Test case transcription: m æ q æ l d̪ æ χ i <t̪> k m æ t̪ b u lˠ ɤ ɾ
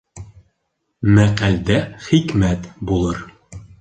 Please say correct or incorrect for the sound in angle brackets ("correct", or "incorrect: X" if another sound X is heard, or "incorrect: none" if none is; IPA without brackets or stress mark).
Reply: incorrect: none